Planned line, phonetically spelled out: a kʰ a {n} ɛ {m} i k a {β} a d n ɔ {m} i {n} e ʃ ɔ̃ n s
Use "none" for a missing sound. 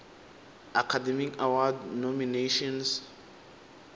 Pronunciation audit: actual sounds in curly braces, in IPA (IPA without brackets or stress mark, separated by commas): d, m, w, m, n